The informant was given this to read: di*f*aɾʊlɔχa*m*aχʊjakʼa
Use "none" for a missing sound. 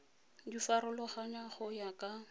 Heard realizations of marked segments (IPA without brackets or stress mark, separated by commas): f, ɲ